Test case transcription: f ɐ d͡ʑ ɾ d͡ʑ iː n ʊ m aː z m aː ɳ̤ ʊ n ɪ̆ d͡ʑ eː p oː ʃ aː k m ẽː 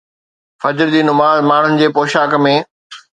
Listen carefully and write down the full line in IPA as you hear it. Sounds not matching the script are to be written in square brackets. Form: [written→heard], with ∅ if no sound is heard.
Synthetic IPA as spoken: f ɐ d͡ʑ ɾ d͡ʑ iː n ʊ m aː z m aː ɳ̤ ʊ n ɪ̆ d͡ʑ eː p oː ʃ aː k m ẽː